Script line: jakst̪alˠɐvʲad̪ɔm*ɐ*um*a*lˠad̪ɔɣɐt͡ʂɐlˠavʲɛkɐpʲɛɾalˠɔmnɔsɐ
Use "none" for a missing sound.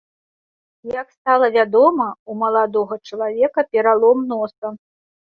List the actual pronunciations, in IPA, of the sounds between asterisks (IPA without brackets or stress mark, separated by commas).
ɐ, ɐ